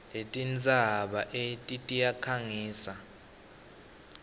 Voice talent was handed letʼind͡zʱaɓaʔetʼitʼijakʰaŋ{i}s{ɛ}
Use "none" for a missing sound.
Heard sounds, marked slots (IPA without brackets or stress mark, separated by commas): iː, a